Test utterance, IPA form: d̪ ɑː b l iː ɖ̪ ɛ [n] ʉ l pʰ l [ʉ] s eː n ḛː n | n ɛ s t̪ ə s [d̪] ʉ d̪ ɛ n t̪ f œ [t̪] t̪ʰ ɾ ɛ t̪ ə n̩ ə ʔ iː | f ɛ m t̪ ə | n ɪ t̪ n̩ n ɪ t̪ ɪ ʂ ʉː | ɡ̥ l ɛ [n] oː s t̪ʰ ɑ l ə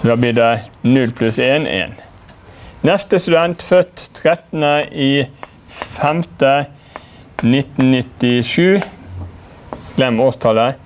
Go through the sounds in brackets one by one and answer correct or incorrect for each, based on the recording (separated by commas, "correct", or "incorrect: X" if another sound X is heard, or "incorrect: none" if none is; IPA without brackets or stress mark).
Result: correct, correct, incorrect: t̪, correct, incorrect: m